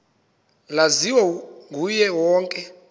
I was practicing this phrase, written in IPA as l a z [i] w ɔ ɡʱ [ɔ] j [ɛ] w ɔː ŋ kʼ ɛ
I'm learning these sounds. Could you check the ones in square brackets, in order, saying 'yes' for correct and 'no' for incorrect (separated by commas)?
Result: yes, no, yes